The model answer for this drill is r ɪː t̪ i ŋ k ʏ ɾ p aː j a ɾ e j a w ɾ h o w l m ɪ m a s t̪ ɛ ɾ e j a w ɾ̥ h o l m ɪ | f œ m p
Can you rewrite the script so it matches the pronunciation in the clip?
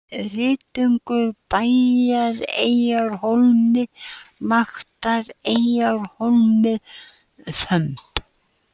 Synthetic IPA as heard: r ɪː t̪ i ŋ k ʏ ɾ p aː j a ɾ e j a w ɾ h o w l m ɪ m a x t̪ a ɾ e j a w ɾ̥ h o l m ɪ | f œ m p